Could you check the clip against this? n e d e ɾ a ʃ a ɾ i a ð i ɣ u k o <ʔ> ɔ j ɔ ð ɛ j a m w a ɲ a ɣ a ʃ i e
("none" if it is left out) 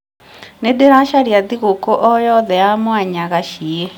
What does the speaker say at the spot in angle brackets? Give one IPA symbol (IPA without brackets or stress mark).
ʔ